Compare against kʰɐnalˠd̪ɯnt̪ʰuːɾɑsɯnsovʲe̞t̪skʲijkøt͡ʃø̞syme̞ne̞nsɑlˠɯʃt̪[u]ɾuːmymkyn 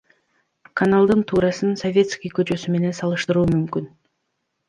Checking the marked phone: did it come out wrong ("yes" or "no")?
yes